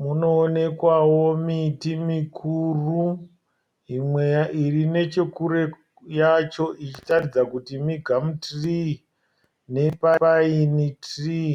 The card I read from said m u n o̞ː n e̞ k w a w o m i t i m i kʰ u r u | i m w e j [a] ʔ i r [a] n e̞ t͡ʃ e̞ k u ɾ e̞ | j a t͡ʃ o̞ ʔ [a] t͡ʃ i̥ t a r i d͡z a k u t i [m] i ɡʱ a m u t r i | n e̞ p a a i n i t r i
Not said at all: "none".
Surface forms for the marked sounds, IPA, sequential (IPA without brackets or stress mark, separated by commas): a, i, i, m